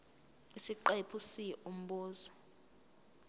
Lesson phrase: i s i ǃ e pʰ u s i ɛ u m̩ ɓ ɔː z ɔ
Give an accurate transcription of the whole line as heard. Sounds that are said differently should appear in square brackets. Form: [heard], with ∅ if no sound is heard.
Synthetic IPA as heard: i s i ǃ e pʰ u s i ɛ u m̩ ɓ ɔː z ɔ